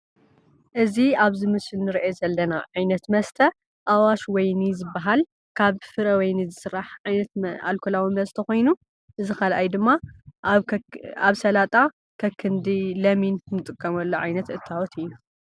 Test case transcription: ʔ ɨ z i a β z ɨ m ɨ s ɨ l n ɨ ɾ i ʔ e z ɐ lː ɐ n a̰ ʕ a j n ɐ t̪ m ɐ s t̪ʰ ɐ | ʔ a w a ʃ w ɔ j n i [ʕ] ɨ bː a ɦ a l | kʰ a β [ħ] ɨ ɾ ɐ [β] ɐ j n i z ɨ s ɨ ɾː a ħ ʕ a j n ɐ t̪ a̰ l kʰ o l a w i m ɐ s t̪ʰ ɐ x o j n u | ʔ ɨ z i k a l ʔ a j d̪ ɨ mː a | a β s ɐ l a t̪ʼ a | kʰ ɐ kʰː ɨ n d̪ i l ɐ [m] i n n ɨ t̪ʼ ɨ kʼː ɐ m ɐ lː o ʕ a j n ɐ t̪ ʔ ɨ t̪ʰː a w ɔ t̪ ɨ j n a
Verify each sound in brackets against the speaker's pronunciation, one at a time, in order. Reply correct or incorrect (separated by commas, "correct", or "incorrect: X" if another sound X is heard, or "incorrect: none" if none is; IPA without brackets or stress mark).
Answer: incorrect: z, incorrect: f, incorrect: w, correct